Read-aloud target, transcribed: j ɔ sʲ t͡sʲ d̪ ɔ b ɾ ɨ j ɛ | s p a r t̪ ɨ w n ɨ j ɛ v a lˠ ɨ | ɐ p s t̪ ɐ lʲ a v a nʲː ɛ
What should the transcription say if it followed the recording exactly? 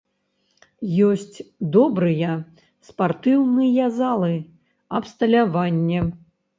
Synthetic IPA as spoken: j ɔ sʲ t͡sʲ d̪ ɔ b ɾ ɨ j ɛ | s p a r t̪ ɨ w n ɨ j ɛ z a lˠ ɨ | ɐ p s t̪ ɐ lʲ a v a nʲː ɛ